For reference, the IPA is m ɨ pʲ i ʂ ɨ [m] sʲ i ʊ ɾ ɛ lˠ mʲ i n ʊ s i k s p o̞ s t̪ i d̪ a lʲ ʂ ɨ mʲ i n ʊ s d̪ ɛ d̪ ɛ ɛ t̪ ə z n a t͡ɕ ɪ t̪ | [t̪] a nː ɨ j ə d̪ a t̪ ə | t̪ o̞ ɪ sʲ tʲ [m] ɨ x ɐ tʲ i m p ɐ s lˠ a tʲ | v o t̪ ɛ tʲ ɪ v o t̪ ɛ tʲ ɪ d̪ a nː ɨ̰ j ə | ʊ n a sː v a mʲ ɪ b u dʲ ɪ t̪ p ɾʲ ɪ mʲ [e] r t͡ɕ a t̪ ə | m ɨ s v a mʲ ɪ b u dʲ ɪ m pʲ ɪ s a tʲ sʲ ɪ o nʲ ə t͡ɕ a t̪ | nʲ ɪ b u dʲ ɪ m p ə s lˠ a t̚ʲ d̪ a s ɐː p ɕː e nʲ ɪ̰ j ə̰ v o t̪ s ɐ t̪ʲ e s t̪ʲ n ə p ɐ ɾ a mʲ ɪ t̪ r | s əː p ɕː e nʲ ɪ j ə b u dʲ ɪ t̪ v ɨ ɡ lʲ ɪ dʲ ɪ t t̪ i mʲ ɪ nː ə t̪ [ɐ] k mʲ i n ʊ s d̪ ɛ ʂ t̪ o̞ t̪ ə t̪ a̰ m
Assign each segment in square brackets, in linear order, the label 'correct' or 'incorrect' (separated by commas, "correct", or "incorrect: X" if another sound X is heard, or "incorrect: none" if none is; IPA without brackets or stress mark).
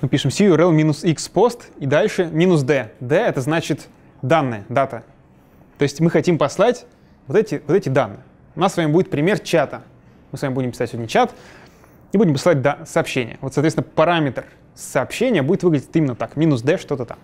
correct, incorrect: d̪, correct, correct, incorrect: a